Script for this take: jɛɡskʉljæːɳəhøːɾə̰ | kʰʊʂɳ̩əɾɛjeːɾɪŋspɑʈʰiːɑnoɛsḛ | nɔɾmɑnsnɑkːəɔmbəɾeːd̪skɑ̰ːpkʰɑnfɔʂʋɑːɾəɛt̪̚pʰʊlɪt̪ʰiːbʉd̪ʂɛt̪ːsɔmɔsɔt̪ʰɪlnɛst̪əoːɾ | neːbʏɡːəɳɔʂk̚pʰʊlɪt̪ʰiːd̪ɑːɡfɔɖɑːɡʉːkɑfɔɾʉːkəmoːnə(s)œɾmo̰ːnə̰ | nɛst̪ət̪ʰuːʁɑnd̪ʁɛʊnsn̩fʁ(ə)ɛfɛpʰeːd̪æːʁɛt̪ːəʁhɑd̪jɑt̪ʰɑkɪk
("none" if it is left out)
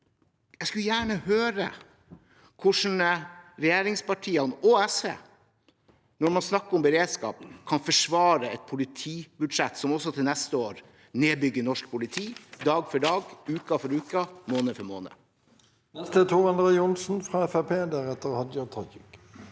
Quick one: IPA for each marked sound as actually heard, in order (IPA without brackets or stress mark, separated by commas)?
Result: f, ɑ